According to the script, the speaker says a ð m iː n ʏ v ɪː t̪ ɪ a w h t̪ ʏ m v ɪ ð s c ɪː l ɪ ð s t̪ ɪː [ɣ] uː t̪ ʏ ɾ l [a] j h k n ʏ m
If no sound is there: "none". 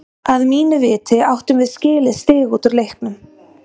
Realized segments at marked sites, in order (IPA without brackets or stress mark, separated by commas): ɣ, e